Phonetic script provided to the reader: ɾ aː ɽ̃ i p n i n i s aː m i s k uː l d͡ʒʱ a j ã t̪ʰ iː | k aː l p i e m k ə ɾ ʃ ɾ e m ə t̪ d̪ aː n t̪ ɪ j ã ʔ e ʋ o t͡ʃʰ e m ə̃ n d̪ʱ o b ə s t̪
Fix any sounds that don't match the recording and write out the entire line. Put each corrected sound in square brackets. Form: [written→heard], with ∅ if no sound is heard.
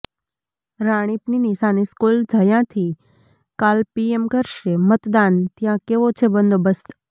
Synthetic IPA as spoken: ɾ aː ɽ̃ i p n i n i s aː [m→n] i s k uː l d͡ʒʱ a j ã t̪ʰ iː | k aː l p i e m k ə ɾ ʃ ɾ e m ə t̪ d̪ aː n t̪ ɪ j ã [ʔ→k] e ʋ o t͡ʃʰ e [m→b] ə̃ n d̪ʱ o b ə s t̪